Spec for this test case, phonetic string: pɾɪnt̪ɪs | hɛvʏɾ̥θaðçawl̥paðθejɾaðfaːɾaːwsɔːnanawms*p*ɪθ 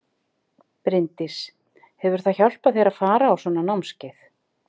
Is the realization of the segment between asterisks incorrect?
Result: yes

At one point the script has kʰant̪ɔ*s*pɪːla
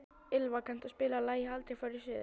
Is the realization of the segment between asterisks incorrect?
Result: no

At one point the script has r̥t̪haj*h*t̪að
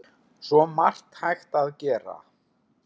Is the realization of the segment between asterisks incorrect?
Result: yes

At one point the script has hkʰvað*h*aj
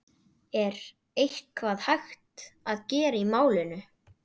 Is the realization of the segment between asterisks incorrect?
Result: no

